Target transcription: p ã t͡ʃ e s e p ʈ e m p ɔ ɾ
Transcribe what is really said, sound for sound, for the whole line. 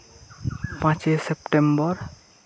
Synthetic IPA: p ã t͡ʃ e s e p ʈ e m b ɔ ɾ